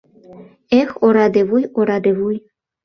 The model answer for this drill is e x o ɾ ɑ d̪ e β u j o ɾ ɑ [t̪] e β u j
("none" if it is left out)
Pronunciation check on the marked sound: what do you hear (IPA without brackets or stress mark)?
d̪